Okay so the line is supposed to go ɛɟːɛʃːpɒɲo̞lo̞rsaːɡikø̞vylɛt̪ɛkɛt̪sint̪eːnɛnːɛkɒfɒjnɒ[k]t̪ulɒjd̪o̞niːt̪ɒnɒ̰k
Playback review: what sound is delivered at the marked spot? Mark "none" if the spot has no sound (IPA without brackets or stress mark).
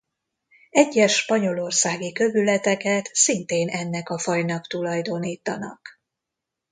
k